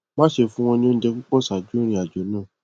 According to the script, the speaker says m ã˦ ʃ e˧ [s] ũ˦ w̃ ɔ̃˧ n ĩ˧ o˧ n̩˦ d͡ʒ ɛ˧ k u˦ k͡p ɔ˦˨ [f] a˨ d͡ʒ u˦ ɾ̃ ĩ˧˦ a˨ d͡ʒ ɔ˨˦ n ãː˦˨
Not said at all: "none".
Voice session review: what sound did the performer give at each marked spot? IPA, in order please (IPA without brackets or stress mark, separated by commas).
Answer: f, s